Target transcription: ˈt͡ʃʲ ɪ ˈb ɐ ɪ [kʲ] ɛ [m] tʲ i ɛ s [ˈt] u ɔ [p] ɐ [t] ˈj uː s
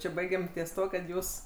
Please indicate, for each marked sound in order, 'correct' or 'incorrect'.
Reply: incorrect, correct, correct, incorrect, correct

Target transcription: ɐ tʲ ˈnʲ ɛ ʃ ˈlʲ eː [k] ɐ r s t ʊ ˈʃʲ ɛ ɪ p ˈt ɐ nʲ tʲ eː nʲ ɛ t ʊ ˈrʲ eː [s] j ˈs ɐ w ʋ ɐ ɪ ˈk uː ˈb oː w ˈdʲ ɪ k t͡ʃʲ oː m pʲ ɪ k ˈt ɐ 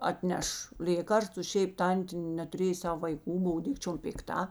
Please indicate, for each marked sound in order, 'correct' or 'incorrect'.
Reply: correct, incorrect

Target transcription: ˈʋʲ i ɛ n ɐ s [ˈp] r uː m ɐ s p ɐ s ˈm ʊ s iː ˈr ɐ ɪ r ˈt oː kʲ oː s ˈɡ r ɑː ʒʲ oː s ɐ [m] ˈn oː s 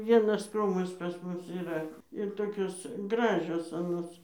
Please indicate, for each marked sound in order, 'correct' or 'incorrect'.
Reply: incorrect, incorrect

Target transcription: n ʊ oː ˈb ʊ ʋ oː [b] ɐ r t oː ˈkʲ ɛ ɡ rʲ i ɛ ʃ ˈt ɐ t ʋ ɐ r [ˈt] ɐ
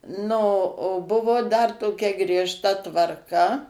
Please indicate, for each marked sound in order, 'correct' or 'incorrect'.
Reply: incorrect, incorrect

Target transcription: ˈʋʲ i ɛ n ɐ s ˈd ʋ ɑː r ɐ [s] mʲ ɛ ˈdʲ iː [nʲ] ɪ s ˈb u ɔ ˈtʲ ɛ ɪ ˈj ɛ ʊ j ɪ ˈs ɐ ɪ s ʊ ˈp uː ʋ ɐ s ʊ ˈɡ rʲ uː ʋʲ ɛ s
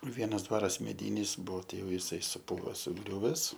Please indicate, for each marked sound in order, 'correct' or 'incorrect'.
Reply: correct, correct

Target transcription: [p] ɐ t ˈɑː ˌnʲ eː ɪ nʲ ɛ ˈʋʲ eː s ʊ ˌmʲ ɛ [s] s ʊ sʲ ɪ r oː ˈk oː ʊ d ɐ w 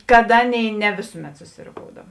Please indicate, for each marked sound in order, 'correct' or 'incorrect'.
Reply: incorrect, incorrect

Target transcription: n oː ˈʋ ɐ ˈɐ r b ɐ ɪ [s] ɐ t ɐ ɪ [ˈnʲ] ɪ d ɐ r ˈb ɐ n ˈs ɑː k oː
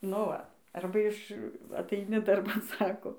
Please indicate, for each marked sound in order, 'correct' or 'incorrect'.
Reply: incorrect, correct

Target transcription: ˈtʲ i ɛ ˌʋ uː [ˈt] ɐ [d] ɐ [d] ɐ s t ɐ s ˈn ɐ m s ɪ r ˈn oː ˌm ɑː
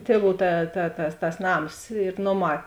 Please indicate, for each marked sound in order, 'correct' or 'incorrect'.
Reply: correct, incorrect, incorrect

